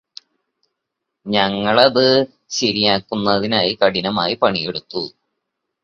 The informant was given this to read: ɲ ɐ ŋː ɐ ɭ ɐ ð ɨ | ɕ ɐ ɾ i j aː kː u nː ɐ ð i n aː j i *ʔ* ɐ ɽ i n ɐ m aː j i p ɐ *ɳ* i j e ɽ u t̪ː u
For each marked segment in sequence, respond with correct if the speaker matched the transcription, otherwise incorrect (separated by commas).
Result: incorrect, correct